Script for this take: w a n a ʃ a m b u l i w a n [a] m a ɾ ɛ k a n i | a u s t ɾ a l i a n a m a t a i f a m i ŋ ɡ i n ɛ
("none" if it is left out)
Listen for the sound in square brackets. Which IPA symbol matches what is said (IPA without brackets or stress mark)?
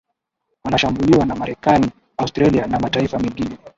a